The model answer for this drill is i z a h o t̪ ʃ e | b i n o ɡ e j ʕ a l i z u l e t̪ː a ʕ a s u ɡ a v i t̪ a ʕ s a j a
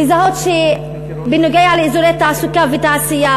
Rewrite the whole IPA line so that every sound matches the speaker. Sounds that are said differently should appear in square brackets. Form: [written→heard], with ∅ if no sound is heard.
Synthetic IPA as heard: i z a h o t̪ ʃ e | b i n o ɡ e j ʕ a l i z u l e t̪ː a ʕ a s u [ɡ→k] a v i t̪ a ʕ s [a→i] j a